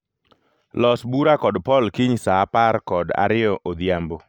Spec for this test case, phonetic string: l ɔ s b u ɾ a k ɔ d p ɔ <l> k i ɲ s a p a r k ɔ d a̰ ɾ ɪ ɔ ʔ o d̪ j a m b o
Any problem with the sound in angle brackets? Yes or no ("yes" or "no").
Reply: no